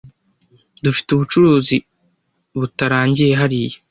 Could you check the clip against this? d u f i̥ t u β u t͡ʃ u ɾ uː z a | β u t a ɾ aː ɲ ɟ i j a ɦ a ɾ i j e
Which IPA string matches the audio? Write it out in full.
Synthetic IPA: d u f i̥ t u β u t͡ʃ u ɾ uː z i | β u t a ɾ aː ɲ ɟ i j e ɦ a ɾ i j e

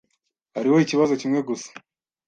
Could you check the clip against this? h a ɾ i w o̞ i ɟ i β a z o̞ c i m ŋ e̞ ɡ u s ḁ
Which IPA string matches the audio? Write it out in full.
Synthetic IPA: h a ɾ i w o̞ i c i β a z o̞ c i m ŋ e̞ ɡ u s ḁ

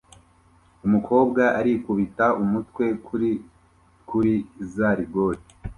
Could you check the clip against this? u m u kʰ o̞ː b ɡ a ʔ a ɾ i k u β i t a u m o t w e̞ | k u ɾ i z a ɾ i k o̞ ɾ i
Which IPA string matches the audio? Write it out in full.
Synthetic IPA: u m u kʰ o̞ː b ɡ a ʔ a ɾ i k u β i t a u m u t w e̞ | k u ɾ i z a ɾ i ɡ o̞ ɾ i

